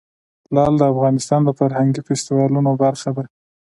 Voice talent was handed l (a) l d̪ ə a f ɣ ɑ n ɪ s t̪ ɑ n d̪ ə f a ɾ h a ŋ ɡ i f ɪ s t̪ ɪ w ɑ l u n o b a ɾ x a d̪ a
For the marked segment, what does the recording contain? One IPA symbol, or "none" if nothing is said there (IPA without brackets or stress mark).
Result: ɑ